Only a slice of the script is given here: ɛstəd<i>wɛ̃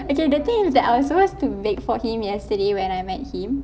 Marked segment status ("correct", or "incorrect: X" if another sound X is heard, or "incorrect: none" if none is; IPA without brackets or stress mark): incorrect: e